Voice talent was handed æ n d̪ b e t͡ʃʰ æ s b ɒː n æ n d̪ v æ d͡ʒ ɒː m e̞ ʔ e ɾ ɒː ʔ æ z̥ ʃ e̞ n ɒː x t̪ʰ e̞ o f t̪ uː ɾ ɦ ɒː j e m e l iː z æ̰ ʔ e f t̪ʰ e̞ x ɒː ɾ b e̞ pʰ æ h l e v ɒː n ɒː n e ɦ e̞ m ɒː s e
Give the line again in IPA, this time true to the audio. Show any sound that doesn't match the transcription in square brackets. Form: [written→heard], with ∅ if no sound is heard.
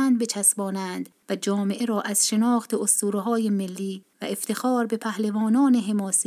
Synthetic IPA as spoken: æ n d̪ b e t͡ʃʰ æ s b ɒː n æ n d̪ v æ d͡ʒ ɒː m e̞ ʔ e ɾ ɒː ʔ æ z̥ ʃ e̞ n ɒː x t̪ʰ e̞ o [f→s] t̪ uː ɾ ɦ ɒː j e m e [l→lː] iː [z→v] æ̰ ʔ e f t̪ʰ e̞ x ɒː ɾ b e̞ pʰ æ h l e v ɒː n ɒː n e ɦ e̞ m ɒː s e